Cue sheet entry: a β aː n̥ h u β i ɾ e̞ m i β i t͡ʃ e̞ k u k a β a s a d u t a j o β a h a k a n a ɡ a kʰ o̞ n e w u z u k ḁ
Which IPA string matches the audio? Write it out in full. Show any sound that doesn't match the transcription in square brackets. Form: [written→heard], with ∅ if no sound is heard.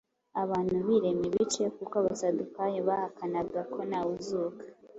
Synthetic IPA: a β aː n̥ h u β i ɾ e̞ m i β i t͡ʃ e̞ k u k a β a s a d u [t→k] a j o β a h a k a n a ɡ a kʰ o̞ n [e→a] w u z u k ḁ